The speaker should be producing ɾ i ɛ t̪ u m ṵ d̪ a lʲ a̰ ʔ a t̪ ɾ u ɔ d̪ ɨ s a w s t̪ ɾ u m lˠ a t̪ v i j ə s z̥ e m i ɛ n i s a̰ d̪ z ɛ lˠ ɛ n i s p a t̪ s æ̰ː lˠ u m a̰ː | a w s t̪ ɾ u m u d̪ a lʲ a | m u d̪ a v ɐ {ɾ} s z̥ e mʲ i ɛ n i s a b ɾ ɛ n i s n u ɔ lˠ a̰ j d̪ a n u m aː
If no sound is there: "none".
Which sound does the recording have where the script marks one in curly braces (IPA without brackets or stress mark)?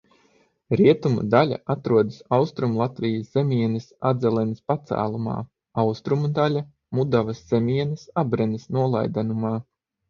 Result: none